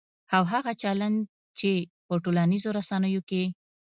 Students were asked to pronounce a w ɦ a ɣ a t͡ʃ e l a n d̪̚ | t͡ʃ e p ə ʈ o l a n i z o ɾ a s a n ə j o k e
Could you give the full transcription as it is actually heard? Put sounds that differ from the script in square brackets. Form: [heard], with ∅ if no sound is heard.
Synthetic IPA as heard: a w ɦ a ɣ a t͡ʃ [a] l a n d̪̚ | t͡ʃ e p ə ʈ o l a n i z o ɾ a s a n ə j o k e